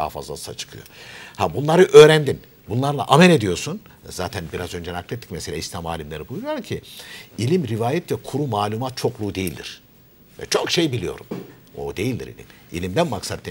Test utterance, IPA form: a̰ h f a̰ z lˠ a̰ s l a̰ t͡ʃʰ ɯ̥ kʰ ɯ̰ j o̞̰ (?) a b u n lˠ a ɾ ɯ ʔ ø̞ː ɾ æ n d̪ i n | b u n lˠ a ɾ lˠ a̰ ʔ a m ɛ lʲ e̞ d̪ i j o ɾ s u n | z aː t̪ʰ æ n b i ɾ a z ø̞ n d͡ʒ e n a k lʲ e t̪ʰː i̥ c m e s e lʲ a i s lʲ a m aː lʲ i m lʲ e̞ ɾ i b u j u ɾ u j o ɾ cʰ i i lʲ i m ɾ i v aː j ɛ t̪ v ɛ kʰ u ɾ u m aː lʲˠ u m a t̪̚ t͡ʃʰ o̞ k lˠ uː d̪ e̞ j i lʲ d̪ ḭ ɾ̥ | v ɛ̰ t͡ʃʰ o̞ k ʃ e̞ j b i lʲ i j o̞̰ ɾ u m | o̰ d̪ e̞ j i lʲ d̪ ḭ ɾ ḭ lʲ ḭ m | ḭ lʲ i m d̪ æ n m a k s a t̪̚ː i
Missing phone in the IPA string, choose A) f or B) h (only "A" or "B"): B